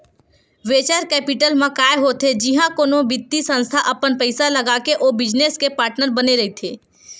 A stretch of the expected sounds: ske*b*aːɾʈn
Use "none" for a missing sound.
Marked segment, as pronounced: p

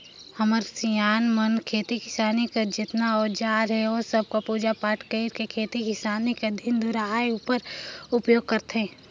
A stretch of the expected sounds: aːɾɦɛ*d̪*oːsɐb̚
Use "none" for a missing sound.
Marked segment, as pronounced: none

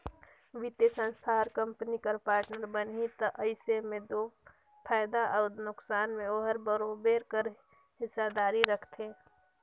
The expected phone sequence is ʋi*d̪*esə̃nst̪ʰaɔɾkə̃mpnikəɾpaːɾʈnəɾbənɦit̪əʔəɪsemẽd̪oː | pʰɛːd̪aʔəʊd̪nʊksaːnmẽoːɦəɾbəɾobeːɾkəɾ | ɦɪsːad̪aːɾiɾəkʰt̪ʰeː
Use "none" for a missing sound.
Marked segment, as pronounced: t̪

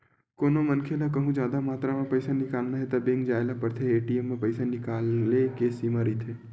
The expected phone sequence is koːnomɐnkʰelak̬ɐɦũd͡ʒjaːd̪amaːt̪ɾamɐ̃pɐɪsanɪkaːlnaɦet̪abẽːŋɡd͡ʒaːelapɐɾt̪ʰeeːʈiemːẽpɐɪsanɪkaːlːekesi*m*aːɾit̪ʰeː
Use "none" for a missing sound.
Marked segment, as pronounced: m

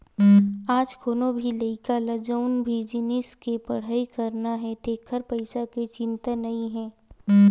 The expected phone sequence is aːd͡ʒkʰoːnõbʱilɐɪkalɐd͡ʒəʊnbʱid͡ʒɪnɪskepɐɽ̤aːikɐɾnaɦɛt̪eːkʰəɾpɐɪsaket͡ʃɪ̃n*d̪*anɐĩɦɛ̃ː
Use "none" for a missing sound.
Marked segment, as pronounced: t̪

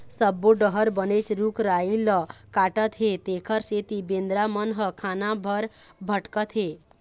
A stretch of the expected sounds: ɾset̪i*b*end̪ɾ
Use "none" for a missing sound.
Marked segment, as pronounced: b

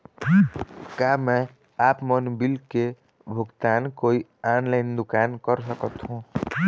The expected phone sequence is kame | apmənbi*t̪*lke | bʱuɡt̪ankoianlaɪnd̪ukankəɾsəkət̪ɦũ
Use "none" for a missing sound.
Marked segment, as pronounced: none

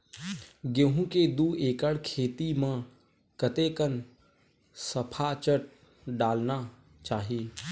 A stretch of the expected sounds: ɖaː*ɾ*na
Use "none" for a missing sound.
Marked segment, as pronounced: l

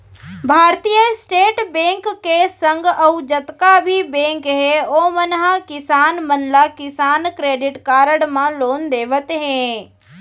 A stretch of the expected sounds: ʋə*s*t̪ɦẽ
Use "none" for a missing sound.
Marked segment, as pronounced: none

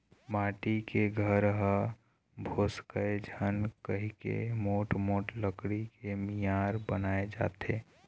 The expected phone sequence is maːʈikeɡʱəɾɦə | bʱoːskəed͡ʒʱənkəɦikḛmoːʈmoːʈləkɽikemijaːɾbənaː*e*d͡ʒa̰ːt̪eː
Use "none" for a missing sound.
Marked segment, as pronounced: e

